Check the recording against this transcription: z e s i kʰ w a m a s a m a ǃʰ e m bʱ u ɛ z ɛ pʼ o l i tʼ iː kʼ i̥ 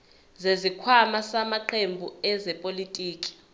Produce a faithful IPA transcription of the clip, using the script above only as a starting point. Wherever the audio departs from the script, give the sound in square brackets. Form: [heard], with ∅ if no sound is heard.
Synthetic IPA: z e [z] i kʰ w a m a s a m a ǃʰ e m bʱ u ɛ z ɛ pʼ o l i tʼ iː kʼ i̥